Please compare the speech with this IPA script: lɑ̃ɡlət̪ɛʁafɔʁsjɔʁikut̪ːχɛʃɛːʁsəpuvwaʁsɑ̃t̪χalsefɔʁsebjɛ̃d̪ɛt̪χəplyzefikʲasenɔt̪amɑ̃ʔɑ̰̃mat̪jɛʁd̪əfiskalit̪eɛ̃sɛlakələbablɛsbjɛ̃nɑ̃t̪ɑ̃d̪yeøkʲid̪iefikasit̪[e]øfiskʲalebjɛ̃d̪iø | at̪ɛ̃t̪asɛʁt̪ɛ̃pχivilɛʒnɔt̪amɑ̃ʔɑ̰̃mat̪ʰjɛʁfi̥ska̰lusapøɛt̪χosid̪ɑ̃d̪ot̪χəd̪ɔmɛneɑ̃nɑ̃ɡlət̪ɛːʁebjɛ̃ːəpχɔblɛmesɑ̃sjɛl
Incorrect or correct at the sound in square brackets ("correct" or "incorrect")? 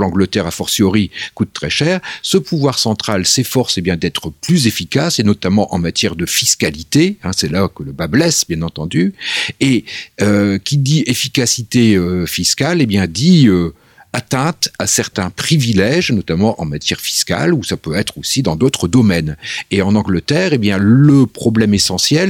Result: correct